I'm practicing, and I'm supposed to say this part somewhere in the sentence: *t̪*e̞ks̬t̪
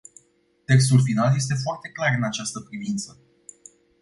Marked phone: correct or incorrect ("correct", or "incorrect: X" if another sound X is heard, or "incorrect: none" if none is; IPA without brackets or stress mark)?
correct